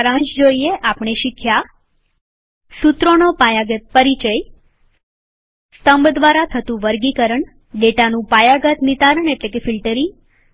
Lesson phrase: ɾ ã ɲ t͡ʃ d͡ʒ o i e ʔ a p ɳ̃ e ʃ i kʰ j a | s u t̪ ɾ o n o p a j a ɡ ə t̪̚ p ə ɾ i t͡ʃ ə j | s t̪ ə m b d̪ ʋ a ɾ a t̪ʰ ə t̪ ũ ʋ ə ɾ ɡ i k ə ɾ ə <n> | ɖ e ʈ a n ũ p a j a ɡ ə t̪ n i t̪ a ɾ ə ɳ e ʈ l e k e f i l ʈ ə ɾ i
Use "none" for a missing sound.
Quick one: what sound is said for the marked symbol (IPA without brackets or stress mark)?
ɳ